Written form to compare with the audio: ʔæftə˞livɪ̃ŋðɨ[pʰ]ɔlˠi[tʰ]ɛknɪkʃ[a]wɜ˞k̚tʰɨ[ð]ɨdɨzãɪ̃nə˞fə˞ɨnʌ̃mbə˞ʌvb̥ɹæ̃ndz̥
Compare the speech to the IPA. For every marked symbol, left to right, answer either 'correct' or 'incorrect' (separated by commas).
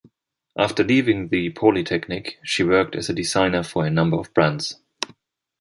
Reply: correct, correct, incorrect, incorrect